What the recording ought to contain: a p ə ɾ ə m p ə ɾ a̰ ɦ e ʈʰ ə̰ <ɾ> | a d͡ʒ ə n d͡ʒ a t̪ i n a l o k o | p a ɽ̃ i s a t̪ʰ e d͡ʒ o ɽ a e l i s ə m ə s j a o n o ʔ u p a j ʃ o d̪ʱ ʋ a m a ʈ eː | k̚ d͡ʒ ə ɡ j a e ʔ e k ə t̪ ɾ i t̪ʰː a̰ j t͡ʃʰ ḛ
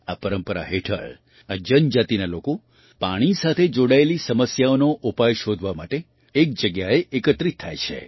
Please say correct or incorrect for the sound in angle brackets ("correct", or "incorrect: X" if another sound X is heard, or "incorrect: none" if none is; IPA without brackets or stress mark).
incorrect: ɭ